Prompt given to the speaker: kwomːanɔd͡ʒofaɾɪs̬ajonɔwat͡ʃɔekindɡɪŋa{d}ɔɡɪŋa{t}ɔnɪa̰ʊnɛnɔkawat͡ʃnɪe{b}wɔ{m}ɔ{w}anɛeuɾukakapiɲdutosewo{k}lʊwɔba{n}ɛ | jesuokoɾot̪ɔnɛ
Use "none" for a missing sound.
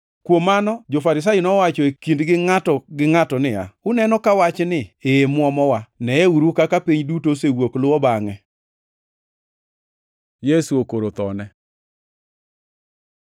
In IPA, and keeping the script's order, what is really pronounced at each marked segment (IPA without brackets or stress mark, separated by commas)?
t, t, m, m, w, k, ŋ